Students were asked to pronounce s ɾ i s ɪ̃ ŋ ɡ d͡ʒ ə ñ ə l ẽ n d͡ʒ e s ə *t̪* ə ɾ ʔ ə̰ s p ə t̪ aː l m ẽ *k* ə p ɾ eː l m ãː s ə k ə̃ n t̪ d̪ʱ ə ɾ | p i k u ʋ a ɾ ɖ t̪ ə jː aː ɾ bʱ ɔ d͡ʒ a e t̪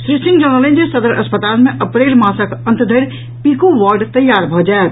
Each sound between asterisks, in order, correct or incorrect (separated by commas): incorrect, incorrect